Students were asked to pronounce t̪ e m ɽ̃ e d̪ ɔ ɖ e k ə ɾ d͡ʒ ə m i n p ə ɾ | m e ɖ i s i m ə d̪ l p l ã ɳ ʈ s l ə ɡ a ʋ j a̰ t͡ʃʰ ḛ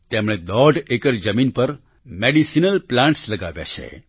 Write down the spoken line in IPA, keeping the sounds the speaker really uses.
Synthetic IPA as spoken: t̪ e m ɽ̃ e d̪ ɔ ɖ e k ə ɾ d͡ʒ ə m i n p ə ɾ | m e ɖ i s i n ə l p l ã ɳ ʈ s l ə ɡ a ʋ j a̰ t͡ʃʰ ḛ